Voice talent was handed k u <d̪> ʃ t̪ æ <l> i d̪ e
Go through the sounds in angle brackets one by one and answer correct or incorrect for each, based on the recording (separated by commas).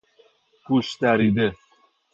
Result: incorrect, incorrect